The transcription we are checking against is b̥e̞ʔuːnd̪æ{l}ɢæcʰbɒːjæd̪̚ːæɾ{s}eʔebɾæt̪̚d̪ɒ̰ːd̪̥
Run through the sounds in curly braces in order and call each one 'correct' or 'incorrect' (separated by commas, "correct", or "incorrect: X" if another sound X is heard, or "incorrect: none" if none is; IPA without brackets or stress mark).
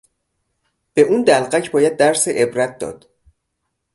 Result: correct, correct